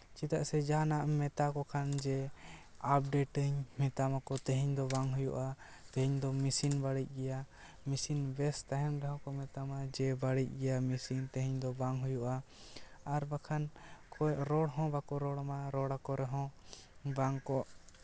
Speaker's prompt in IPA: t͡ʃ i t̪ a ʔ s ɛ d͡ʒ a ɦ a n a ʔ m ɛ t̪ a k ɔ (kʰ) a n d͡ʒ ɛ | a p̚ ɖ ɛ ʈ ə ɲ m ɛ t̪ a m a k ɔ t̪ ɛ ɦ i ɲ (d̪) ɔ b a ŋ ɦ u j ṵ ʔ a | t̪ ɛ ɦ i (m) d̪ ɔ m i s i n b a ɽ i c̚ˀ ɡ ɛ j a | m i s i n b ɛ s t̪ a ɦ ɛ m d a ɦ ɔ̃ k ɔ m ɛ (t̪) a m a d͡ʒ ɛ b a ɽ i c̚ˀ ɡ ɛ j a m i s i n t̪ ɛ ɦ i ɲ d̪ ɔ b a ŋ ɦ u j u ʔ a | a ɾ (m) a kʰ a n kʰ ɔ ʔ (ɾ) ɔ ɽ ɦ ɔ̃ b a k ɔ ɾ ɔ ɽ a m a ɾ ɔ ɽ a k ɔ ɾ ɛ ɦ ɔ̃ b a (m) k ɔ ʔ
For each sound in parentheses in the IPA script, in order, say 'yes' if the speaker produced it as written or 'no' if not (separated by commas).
yes, yes, no, yes, no, yes, no